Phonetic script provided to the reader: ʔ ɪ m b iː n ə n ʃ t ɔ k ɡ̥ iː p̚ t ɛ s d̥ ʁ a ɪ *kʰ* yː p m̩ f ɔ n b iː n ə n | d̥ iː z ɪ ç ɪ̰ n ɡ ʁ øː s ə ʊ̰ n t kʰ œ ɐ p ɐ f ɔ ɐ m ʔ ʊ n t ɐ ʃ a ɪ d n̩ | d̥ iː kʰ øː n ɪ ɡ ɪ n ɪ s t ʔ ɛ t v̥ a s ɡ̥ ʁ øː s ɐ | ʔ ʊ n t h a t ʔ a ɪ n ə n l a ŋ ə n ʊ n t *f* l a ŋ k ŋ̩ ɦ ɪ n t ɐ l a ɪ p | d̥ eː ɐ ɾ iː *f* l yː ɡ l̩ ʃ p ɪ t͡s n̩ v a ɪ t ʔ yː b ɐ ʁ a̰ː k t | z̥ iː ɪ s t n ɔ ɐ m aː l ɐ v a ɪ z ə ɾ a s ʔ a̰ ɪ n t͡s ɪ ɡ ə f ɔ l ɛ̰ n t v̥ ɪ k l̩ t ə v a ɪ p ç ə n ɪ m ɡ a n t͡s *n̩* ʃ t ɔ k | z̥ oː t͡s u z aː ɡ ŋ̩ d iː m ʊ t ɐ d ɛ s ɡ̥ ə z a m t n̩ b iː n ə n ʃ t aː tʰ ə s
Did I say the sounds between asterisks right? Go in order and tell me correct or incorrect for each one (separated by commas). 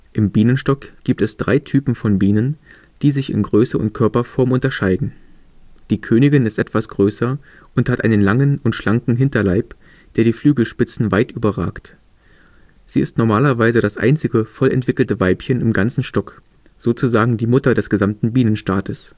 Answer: incorrect, incorrect, correct, correct